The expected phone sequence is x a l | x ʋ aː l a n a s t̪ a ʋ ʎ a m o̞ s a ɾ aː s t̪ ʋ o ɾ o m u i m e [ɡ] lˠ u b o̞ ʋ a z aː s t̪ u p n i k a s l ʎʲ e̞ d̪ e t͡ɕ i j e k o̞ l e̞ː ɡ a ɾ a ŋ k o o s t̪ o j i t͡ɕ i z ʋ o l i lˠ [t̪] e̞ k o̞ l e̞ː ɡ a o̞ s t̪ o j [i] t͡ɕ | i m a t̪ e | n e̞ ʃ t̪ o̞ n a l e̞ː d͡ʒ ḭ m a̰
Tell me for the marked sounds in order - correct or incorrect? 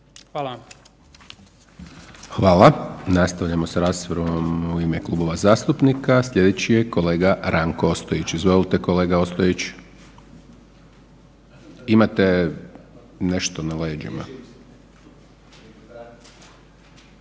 incorrect: k, correct, correct

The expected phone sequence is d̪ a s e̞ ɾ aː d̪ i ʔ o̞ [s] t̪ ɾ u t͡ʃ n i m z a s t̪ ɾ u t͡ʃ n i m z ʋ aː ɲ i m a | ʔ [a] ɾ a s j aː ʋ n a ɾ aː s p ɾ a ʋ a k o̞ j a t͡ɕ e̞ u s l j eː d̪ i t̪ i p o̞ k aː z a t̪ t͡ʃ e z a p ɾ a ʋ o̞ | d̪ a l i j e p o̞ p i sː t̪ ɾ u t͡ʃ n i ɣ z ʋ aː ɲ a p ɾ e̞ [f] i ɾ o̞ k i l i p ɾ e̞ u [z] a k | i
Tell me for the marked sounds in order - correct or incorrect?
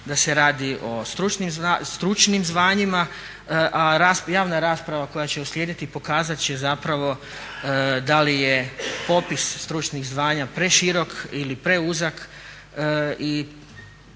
correct, correct, incorrect: ʃ, correct

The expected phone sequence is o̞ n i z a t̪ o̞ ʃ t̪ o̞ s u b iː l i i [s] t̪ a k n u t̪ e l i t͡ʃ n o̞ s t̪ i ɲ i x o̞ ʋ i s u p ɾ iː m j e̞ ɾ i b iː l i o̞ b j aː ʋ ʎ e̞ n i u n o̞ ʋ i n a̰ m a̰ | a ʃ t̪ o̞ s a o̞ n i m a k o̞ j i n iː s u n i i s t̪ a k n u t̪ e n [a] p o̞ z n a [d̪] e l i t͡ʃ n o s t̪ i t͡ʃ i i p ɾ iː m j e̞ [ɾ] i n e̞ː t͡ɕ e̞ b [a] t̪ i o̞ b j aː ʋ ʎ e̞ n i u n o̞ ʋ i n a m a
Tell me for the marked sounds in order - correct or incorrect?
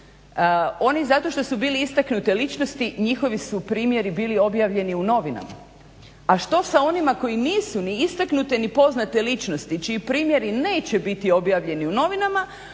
correct, incorrect: i, incorrect: t̪, correct, incorrect: i

